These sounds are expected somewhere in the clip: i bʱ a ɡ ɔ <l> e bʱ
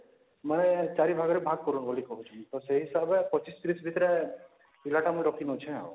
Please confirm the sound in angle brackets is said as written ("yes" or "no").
no